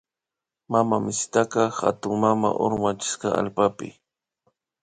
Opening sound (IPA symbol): m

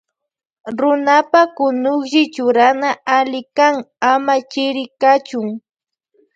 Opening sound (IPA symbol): ɾ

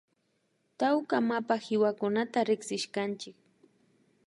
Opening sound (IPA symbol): t̪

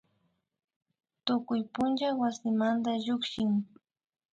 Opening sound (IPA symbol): t̪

